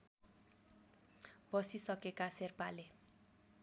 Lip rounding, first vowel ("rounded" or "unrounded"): unrounded